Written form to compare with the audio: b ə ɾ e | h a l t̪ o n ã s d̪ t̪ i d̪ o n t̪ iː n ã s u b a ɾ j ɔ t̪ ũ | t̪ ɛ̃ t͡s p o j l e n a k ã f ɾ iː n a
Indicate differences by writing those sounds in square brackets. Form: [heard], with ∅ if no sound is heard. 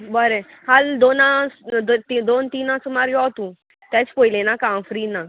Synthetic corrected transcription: b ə ɾ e | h a l [d̪] o n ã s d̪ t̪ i d̪ o n t̪ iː n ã s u [m] a ɾ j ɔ t̪ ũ | t̪ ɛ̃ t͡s p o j l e n a k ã f ɾ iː n a